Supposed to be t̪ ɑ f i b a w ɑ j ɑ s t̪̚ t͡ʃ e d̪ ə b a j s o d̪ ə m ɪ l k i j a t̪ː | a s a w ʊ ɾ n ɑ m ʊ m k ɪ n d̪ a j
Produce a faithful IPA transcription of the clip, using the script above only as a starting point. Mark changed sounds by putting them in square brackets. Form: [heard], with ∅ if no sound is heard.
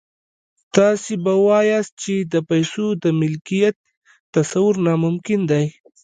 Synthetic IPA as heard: t̪ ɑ [s] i b a w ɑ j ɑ s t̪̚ t͡ʃ e d̪ ə [p] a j s o d̪ ə m ɪ l k i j a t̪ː | a s a w ʊ ɾ n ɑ m ʊ m k ɪ n d̪ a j

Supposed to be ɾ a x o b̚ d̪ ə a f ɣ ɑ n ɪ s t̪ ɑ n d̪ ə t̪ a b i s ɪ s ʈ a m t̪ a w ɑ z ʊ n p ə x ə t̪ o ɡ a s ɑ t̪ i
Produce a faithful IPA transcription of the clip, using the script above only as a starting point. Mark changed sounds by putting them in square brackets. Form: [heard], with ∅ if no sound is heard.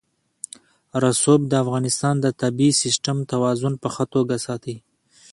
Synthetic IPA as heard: ɾ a [s] o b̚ d̪ ə a f ɣ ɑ n ɪ s t̪ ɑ n d̪ ə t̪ a b i s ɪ s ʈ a m t̪ a w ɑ z ʊ n p ə x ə t̪ o ɡ a s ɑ t̪ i

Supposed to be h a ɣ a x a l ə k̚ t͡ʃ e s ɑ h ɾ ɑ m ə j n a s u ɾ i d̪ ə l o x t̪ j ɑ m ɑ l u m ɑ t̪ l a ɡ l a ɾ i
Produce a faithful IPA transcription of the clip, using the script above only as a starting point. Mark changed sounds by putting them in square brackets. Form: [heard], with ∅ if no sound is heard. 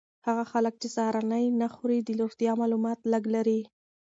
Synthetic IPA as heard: h a ɣ a x a l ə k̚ t͡ʃ e s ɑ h ɾ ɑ [n] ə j n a [x] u ɾ i d̪ ə l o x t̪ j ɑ m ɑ l u m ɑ t̪ l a ɡ l a ɾ i

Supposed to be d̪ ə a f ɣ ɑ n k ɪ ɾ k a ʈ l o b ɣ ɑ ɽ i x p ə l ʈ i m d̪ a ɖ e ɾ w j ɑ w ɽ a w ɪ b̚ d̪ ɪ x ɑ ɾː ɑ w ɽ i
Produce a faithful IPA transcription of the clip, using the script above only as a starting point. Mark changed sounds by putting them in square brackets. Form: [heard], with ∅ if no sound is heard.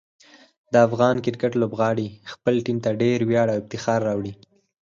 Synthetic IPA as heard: d̪ ə a f ɣ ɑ n k ɪ ɾ k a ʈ l o b ɣ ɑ ɽ i x p ə l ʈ i m [t̪] a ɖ e ɾ w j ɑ [∅] ɽ a w ɪ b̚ [t̪] ɪ x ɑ ɾː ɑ w ɽ i

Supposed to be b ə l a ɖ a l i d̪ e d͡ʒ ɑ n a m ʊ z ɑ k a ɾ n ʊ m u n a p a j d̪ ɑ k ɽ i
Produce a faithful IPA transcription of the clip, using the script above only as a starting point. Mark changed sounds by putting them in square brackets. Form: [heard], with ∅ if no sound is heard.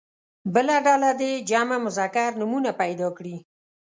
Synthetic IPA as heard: b ə l a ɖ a l [a] d̪ e d͡ʒ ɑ [m] a m ʊ z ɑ k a ɾ n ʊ m u n a p a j d̪ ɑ k ɽ i

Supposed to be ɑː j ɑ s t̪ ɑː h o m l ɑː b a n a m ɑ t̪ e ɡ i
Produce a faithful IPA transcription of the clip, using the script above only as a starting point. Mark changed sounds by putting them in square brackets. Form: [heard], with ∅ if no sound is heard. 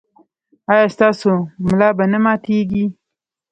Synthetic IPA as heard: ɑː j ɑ s t̪ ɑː [s] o m l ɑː b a n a m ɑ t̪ e ɡ i

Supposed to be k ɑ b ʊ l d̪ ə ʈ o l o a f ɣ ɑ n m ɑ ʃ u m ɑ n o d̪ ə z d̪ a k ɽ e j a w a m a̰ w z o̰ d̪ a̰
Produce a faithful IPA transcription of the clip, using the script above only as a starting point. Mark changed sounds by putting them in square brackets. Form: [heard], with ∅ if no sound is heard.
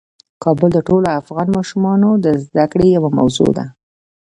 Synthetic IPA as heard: k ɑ b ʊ l d̪ ə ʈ o l o a f ɣ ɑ n m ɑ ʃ u m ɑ n o d̪ ə z d̪ a k ɽ e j a w a m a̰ w z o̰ d̪ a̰

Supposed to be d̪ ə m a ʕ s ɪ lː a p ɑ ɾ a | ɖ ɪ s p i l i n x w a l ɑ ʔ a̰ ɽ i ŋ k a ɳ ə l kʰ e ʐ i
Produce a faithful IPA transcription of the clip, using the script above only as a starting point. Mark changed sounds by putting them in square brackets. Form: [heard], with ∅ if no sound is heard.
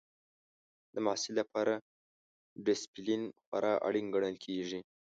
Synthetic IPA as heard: d̪ ə m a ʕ s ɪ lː a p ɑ ɾ a | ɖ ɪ s p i l i n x w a [ɾ] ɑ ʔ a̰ ɽ i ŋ [ɡ] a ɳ ə l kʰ e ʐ i

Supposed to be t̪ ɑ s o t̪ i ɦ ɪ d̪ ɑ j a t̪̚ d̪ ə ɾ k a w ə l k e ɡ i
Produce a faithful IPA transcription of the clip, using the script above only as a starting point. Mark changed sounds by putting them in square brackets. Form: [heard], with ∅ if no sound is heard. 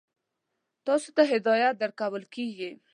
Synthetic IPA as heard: t̪ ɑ s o t̪ [a] ɦ ɪ d̪ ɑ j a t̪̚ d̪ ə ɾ k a w ə l k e ɡ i

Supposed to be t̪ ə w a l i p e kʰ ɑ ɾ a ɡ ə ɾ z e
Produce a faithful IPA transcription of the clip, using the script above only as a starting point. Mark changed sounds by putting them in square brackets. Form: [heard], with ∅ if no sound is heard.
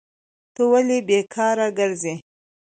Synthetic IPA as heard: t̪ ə w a l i [b] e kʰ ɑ ɾ a ɡ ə ɾ z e

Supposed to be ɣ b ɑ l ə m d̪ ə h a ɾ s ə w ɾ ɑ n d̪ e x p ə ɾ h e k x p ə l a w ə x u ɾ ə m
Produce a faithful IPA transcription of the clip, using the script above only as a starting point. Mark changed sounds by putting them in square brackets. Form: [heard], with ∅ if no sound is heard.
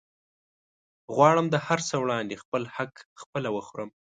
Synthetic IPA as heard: ɣ [w] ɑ [ɽ] ə m d̪ ə h a ɾ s ə w [ɽ] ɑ n d̪ e x p ə [l] h [a] k x p ə l a w ə x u ɾ ə m

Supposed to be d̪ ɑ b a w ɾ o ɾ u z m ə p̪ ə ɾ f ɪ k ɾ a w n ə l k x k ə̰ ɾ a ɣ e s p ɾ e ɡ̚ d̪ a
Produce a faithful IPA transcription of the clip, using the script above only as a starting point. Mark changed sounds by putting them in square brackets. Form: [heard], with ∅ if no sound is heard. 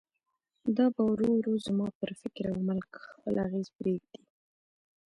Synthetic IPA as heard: d̪ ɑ b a w ɾ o ɾ u z m [ɑ] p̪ ə ɾ f ɪ k ɾ a w [m] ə l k x [p] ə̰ [l] a ɣ e [z] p ɾ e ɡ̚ d̪ [i]

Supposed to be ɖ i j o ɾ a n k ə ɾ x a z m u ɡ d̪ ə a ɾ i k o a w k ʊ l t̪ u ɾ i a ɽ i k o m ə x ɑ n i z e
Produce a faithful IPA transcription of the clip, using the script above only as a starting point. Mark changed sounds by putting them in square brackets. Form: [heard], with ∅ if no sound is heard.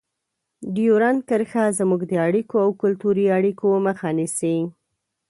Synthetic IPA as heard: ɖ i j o ɾ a n k ə ɾ x a z m u ɡ d̪ ə a [ɽ] i k o a w k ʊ l t̪ u ɾ i a ɽ i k o m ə x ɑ n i [s] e

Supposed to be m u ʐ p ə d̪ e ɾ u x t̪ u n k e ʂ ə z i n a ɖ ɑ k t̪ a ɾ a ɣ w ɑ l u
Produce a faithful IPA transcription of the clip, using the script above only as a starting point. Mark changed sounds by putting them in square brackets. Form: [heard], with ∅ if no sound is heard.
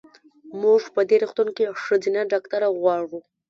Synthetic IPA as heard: m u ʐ p ə d̪ e ɾ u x t̪ u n k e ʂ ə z i n a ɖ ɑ k t̪ a ɾ a ɣ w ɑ [ɽ] u

